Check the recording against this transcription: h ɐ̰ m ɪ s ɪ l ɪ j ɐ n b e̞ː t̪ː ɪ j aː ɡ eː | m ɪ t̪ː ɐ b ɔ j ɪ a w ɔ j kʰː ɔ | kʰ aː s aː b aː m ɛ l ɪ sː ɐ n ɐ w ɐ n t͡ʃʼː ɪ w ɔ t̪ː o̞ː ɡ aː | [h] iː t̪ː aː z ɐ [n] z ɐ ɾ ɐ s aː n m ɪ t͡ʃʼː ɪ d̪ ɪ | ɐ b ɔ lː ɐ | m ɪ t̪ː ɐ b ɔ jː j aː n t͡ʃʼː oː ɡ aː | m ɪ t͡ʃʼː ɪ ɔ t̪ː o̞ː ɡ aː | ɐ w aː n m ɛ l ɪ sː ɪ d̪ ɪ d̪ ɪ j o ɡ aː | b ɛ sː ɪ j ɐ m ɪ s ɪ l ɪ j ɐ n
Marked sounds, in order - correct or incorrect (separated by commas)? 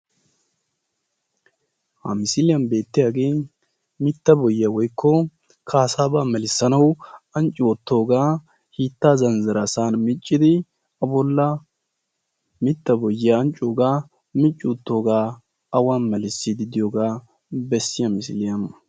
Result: correct, correct